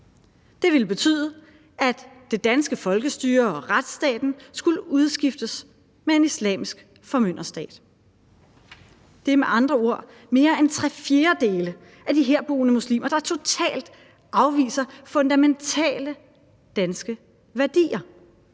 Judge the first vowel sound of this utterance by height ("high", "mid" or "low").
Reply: mid